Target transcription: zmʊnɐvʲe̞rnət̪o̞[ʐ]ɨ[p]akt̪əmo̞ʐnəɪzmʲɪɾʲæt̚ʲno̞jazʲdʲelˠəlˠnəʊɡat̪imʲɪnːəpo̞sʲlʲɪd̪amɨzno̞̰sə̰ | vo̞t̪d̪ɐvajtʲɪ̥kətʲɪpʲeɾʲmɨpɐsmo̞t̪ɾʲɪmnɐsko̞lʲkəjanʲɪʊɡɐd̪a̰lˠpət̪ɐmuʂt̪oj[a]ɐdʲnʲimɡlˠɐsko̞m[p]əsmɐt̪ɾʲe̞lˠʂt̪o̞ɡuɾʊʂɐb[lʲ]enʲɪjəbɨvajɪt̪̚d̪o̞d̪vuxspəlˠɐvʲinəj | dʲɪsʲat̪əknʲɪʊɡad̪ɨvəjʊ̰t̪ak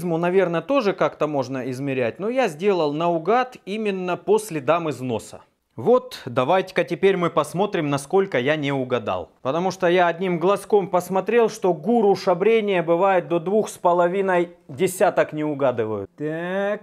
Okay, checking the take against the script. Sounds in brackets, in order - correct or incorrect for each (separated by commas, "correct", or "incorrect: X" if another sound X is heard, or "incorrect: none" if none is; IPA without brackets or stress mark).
correct, incorrect: k, correct, correct, incorrect: ɾʲ